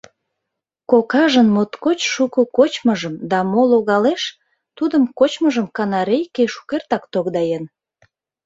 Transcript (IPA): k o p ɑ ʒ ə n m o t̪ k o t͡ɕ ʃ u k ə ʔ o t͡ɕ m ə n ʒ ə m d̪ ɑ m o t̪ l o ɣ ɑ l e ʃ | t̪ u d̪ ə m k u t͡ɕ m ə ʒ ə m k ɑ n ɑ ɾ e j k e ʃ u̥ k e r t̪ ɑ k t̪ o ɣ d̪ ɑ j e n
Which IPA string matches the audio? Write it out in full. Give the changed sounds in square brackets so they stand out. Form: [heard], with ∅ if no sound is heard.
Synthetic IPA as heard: k o [k] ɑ ʒ ə n m o t̪ k o t͡ɕ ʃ u k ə [k] o t͡ɕ m ə [∅] ʒ ə m d̪ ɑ m o [∅] l o ɣ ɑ l e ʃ | t̪ u d̪ ə m k [o] t͡ɕ m ə ʒ ə m k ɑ n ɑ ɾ e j k e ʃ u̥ k e r t̪ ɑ k t̪ o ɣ d̪ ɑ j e n